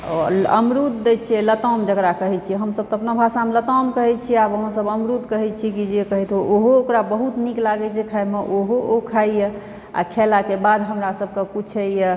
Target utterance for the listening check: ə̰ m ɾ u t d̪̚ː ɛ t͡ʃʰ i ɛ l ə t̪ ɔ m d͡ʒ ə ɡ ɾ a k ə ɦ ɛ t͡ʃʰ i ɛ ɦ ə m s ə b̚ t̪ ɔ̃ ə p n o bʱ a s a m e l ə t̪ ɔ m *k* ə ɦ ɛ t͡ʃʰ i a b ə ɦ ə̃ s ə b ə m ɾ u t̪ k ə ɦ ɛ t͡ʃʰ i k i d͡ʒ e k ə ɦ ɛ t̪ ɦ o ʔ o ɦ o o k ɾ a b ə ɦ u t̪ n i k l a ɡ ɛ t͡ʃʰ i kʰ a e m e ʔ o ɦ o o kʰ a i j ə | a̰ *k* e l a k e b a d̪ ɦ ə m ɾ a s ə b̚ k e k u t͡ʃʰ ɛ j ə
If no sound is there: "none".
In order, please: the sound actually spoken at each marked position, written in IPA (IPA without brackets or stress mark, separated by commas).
k, kʰ